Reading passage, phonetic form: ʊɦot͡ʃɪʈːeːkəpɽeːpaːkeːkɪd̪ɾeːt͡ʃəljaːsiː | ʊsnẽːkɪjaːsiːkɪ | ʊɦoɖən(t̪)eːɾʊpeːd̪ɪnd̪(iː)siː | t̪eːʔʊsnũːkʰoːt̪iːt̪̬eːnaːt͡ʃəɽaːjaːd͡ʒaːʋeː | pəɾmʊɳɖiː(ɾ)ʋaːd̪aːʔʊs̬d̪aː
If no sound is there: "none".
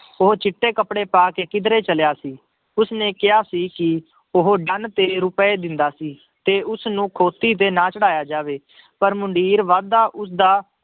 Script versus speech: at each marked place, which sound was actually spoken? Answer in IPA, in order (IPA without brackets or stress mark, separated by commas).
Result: t̪, aː, ɾ